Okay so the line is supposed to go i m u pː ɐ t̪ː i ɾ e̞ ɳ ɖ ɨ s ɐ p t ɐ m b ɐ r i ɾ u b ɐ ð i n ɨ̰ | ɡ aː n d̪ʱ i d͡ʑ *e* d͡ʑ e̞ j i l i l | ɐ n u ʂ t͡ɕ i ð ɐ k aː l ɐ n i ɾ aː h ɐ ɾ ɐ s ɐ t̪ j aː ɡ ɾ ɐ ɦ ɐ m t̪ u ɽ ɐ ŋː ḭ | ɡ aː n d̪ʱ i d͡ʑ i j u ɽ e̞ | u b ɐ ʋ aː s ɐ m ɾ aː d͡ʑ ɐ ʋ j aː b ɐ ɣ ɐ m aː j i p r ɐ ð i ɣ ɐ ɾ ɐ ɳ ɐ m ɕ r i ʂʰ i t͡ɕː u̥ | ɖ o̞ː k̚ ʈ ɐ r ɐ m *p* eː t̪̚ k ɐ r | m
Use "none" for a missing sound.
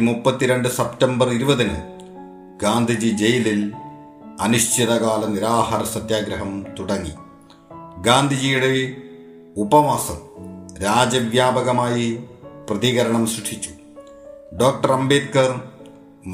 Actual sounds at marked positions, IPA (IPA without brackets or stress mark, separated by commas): i, b